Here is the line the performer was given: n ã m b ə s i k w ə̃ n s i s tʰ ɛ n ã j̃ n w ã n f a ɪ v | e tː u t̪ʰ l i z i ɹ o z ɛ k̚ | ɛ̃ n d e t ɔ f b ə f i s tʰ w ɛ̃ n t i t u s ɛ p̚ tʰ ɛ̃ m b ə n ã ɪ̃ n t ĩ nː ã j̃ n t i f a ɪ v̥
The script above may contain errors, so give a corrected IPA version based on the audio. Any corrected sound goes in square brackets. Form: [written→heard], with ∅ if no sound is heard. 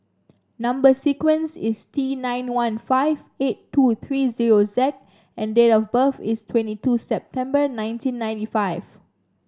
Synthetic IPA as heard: n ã m b ə s i k w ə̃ n s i s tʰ [ɛ→i] n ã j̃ n w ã n f a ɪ v | e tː u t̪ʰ [l→ɹ] i z i ɹ o z ɛ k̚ | ɛ̃ n d e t ɔ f b ə f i s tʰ w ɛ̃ n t i t u s ɛ p̚ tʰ ɛ̃ m b ə n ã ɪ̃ n t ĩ nː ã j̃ n t i f a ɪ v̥

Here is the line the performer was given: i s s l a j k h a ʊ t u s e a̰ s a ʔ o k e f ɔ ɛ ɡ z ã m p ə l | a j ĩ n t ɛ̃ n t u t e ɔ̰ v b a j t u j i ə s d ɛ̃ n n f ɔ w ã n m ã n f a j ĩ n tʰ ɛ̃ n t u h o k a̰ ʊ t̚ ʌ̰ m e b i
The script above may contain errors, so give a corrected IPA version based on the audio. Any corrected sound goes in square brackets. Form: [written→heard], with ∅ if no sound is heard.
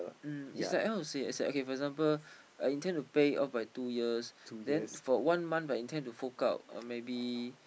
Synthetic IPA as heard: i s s l a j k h a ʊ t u s e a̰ s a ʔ o k e f ɔ ɛ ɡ z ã m p ə l | a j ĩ n t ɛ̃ n t u [t→p] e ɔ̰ [v→f] b a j t u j i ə s d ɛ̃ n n f ɔ w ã n m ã n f a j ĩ n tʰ ɛ̃ n t u [h→f] o k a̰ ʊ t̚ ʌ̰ m e b i

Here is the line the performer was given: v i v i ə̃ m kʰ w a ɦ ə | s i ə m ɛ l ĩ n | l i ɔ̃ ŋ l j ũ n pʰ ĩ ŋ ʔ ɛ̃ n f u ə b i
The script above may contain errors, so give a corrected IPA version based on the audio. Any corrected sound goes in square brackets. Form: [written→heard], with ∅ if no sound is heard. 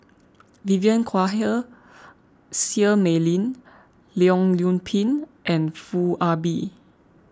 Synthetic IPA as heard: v i v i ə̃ [m→n] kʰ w a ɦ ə | s i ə m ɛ l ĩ n | l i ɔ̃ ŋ l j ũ n pʰ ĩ [ŋ→n] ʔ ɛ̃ n f u [ə→a] b i

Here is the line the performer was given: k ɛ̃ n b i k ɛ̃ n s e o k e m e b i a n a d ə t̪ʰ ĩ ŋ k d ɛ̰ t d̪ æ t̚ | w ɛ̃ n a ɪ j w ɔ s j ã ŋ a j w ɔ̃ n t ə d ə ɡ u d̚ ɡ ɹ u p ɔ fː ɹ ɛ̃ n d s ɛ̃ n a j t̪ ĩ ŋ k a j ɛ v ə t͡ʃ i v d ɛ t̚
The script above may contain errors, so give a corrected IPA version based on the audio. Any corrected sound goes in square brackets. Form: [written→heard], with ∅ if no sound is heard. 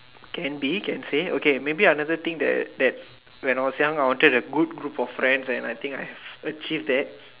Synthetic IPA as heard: k ɛ̃ n b i k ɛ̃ n s e o k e m e b i a n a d ə [t̪ʰ→t̪] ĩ ŋ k d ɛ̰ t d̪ [æ→ɛ] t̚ | w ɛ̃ n a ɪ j w ɔ s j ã ŋ a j w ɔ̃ n t ə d ə ɡ u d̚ ɡ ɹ u p ɔ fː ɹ ɛ̃ n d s ɛ̃ n a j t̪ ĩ ŋ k a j ɛ v ə t͡ʃ i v d ɛ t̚

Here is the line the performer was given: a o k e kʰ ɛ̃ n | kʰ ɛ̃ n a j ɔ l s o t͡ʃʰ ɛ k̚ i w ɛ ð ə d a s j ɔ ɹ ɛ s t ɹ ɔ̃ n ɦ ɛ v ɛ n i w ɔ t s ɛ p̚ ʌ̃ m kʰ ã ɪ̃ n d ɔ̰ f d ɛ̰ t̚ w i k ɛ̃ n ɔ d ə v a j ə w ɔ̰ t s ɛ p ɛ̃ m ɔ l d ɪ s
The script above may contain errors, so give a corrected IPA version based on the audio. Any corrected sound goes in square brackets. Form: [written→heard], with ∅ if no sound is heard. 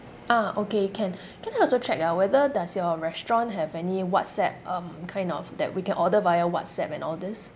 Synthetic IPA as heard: a o k e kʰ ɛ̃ n | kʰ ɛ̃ n a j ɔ l s o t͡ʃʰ ɛ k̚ [i→a] w ɛ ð ə d a s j ɔ ɹ ɛ s t ɹ ɔ̃ n ɦ ɛ v ɛ n i w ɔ t s ɛ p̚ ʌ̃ m kʰ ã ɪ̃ n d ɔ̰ f d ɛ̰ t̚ w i k ɛ̃ n ɔ d ə v a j ə w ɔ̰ t s ɛ p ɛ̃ [m→n] ɔ l d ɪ s

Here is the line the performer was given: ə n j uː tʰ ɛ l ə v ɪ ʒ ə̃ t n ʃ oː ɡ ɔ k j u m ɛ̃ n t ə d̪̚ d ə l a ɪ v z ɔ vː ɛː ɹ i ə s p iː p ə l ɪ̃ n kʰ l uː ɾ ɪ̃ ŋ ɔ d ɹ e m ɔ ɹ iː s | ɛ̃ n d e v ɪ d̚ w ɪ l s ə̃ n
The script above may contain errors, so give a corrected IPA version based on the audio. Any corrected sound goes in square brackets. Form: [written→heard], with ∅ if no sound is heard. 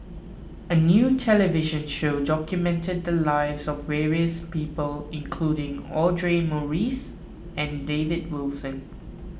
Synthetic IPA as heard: ə n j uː tʰ ɛ l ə v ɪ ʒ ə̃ [t→∅] n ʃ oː [ɡ→d] ɔ k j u m ɛ̃ n t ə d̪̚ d ə l a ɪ v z ɔ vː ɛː ɹ i ə s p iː p ə l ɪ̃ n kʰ l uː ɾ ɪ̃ ŋ ɔ d ɹ e m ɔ ɹ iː s | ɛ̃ n d e v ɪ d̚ w ɪ l s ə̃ n

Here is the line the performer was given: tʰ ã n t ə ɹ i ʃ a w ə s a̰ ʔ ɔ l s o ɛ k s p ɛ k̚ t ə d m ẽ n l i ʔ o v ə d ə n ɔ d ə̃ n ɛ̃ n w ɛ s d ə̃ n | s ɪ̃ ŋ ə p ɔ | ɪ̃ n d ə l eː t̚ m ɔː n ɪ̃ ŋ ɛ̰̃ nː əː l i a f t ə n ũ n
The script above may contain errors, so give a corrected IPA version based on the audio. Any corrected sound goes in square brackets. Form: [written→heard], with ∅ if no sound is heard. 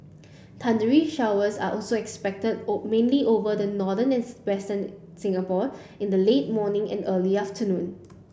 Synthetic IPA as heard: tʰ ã n [t→d] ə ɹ i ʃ a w ə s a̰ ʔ ɔ l s o ɛ k s p ɛ k̚ t ə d m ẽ n l i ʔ o v ə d ə n ɔ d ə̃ n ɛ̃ n w ɛ s [d→t] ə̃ n | s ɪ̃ ŋ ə p ɔ | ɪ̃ n d ə l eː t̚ m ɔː n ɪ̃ ŋ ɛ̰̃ [nː→n] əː l i a f t ə n ũ n

